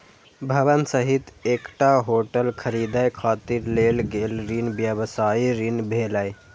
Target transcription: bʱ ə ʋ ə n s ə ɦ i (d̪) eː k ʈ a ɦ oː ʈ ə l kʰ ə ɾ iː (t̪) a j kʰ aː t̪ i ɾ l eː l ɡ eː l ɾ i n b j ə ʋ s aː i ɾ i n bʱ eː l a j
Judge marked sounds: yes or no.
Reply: no, no

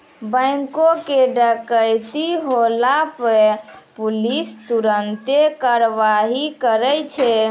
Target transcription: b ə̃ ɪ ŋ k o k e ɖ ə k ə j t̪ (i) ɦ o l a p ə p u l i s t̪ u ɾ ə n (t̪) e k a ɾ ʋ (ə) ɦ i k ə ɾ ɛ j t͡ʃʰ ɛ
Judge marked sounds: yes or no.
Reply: yes, yes, no

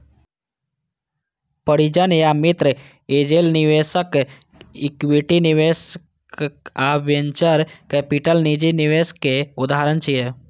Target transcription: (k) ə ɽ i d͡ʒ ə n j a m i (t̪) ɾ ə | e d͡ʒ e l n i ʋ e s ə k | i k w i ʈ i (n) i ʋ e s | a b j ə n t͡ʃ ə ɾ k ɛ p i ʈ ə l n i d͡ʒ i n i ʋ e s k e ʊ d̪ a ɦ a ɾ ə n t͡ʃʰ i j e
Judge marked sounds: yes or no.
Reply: no, yes, yes

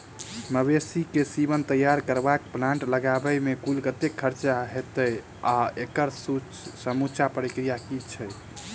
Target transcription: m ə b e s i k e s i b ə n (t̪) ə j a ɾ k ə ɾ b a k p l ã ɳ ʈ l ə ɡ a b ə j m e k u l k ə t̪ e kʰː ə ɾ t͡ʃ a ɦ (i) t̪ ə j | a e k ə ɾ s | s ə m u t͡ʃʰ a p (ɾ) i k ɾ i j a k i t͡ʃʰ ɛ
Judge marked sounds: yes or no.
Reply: yes, no, yes

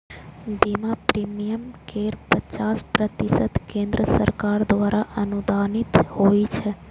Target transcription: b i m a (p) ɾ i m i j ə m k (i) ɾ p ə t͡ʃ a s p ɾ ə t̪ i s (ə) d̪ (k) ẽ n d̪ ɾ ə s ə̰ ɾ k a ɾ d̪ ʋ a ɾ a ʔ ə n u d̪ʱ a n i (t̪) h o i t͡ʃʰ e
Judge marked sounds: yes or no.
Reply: yes, no, yes, yes, yes

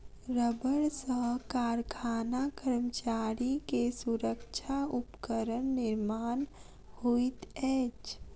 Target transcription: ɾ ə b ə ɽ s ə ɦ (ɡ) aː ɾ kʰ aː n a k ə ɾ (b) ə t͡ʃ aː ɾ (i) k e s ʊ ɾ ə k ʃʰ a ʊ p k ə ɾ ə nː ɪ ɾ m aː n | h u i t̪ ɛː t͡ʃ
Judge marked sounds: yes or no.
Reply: no, no, yes

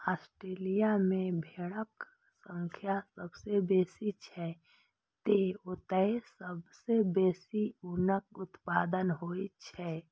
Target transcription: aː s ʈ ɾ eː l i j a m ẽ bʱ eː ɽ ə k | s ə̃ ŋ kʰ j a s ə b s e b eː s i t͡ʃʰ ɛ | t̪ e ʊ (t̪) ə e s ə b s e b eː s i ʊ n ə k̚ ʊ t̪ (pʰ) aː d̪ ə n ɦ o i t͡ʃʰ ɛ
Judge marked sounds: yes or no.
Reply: yes, no

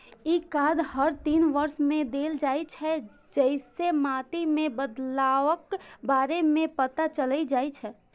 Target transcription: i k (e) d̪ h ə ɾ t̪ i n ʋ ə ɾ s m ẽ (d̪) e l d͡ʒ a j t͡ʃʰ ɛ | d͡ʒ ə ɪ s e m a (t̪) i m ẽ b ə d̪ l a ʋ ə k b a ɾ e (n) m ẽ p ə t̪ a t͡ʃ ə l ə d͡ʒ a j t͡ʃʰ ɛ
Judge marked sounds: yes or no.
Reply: no, yes, yes, no

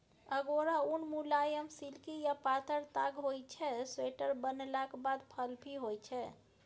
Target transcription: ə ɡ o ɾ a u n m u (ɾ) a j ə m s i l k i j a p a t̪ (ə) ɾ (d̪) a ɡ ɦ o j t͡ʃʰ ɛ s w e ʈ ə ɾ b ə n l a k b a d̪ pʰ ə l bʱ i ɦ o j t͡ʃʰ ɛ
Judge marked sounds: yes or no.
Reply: no, yes, no

